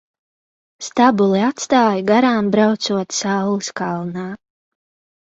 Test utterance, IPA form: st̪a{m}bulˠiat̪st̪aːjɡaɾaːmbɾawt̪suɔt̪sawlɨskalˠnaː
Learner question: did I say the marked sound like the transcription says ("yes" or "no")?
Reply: no